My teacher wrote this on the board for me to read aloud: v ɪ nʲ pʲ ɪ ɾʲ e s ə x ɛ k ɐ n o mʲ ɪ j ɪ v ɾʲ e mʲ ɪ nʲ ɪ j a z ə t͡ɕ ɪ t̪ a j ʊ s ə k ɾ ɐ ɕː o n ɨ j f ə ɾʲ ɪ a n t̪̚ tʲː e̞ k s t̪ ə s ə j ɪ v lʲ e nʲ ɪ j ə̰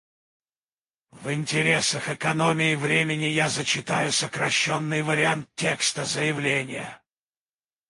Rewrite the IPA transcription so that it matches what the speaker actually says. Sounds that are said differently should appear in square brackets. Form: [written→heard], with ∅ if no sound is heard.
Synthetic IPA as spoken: v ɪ nʲ [pʲ→tʲ] ɪ ɾʲ e s ə x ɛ k ɐ n o mʲ ɪ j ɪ v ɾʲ e mʲ ɪ nʲ ɪ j a z ə t͡ɕ ɪ t̪ a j ʊ s ə k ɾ ɐ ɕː o [n→nː] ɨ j [f→v] ə ɾʲ ɪ a n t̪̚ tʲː e̞ k s t̪ ə [s→z] ə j ɪ v lʲ e nʲ ɪ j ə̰